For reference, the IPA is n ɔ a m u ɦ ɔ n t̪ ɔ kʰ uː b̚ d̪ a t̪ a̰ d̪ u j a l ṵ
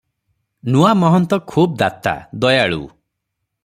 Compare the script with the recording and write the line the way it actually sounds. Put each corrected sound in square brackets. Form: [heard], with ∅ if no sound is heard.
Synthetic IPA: n [u] a m [ɔ] ɦ ɔ n t̪ ɔ kʰ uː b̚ d̪ a t̪ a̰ d̪ [ɔ] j a [ɭ] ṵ